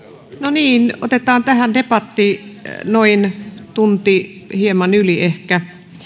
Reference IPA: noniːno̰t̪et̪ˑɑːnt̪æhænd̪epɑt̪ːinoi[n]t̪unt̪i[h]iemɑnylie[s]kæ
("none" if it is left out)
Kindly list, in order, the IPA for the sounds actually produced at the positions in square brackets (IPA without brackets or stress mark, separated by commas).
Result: n, h, h